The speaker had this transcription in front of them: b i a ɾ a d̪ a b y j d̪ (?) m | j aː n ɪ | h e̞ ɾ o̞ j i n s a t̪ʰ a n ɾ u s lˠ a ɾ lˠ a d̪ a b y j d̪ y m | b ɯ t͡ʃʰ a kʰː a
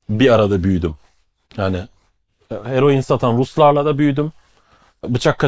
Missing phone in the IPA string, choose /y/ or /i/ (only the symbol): y